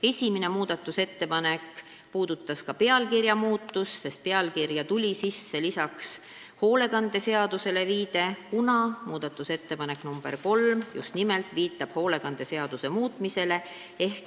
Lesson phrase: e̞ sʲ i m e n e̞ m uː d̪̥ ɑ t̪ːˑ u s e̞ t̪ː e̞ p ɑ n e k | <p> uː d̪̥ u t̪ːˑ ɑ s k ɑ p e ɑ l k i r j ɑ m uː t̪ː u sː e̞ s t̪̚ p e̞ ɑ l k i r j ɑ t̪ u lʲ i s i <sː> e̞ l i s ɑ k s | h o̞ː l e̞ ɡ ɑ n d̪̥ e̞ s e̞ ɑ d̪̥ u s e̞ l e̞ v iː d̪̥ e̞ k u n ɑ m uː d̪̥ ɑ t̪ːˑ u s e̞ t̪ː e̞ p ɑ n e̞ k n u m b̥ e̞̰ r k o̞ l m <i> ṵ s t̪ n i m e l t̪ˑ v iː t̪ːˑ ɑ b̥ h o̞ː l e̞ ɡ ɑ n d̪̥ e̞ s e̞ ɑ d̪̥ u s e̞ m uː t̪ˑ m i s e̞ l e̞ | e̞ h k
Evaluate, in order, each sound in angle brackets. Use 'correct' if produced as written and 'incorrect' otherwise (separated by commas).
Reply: correct, correct, incorrect